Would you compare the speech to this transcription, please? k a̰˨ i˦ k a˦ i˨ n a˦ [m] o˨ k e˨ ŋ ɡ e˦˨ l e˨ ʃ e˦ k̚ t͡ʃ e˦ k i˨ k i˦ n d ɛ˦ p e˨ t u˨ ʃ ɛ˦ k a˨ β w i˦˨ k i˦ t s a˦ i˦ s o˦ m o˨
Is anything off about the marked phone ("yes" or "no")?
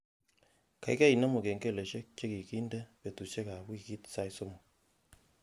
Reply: no